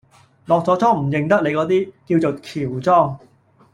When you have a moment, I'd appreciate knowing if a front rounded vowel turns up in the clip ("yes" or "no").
no